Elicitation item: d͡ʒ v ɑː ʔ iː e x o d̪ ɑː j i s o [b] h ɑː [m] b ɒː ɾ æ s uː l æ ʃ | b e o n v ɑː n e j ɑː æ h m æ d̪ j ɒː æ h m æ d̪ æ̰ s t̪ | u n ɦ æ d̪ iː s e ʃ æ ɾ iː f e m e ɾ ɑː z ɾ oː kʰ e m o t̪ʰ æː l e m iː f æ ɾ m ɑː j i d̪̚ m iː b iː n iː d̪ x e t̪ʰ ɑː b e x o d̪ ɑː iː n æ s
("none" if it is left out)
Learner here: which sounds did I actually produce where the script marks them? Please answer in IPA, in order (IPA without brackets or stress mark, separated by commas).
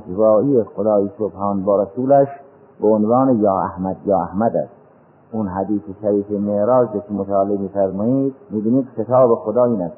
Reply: b, n